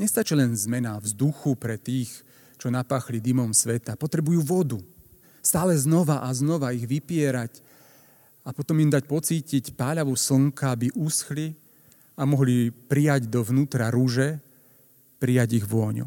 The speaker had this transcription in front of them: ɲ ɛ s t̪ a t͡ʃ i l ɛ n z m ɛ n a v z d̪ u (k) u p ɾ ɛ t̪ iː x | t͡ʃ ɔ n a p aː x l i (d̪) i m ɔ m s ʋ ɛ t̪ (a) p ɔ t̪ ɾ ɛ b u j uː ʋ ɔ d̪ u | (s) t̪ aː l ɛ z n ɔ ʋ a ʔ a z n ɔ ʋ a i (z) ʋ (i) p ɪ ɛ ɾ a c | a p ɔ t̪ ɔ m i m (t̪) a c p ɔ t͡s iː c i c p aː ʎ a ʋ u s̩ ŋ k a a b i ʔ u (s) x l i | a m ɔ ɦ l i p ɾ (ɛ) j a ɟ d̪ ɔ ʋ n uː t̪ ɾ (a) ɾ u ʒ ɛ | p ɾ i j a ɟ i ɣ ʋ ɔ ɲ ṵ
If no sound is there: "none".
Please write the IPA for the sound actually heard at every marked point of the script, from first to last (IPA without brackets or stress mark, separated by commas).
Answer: x, d̪, a, s, ɣ, i, d̪, s, i, a